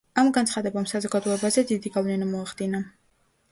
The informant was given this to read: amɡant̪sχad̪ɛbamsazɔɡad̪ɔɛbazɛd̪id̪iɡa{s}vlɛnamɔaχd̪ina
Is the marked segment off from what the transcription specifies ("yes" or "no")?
yes